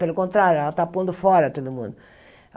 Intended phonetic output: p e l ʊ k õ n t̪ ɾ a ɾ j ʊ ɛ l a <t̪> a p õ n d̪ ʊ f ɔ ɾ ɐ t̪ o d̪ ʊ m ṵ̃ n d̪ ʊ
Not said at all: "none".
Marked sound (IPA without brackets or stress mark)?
t̪